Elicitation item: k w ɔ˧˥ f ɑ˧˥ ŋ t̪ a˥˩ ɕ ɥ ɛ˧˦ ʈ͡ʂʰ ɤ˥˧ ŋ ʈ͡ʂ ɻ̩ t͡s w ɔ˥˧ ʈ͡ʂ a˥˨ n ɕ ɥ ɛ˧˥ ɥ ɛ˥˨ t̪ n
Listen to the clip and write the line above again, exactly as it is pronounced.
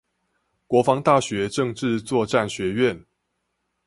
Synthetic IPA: k w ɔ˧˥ f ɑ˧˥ ŋ t̪ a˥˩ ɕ ɥ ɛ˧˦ ʈ͡ʂ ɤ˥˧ ŋ ʈ͡ʂ ɻ̩ t͡s w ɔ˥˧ ʈ͡ʂ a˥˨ n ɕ ɥ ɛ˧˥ ɥ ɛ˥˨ n